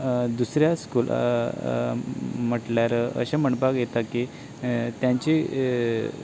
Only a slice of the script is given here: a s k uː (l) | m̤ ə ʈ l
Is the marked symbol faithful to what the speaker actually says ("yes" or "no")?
yes